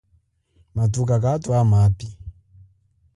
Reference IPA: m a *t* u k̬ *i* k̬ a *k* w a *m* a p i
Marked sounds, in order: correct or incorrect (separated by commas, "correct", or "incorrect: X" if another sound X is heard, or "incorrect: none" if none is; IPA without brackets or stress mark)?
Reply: correct, incorrect: a, incorrect: t, correct